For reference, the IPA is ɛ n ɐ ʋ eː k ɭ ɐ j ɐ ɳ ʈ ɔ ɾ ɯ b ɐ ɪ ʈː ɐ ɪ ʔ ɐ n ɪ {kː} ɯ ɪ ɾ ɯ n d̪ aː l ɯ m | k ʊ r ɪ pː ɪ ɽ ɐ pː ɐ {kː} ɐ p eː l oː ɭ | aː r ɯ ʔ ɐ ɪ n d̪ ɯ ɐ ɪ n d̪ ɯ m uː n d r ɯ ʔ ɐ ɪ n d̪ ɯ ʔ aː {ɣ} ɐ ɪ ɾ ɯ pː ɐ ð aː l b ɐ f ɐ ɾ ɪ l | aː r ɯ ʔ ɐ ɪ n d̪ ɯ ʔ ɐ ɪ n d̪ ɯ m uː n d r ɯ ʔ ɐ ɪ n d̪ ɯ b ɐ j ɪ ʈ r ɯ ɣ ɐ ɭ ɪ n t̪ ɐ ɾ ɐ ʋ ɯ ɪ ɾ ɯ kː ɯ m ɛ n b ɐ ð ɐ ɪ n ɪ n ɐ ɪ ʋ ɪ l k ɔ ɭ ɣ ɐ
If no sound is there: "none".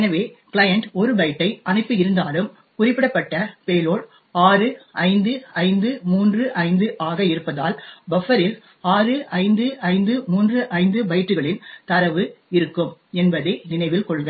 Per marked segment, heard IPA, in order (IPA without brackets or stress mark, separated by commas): pː, ʈː, ɣ